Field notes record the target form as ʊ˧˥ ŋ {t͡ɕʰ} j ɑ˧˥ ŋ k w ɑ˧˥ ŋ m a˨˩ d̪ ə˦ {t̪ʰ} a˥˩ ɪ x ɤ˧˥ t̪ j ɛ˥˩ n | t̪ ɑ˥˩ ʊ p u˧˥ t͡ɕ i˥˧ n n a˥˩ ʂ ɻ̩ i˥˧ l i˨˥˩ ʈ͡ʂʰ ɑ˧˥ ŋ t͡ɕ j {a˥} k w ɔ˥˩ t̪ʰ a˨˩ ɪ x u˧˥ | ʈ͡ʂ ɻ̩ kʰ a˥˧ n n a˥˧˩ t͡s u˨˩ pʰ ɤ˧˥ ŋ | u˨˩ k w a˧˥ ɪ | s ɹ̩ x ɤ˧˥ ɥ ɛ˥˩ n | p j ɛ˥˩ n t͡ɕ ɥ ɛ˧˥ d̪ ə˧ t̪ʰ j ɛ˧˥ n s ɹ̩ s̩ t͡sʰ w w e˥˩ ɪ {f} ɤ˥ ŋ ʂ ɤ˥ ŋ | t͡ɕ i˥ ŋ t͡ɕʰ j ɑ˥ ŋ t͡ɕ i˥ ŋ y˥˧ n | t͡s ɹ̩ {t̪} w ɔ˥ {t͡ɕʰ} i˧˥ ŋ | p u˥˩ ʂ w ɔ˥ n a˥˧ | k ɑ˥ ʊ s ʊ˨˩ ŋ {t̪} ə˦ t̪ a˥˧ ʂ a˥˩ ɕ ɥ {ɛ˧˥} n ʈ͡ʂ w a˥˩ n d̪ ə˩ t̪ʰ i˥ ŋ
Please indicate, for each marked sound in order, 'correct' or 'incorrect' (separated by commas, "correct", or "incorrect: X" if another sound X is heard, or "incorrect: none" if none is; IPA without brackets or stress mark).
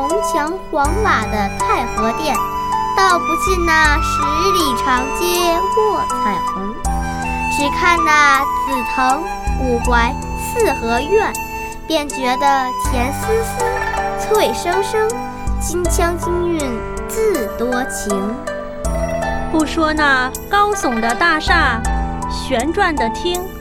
correct, correct, incorrect: ɛ˥, incorrect: ʂ, correct, correct, incorrect: d̪, correct